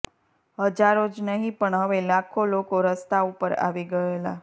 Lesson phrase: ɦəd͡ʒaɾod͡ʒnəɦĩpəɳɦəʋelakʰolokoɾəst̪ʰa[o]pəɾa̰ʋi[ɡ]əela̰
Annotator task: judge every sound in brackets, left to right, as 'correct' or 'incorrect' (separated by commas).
incorrect, correct